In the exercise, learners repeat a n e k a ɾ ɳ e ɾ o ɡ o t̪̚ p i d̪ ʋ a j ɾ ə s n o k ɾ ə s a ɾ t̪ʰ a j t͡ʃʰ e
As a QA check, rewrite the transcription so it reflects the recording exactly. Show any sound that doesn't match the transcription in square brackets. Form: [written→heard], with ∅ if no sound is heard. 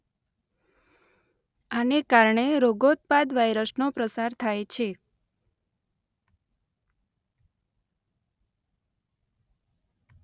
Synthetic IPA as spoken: a n e k a ɾ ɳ e ɾ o ɡ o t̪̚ p [i→a] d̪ ʋ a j ɾ ə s n o [k→p] ɾ ə s a ɾ t̪ʰ a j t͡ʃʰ e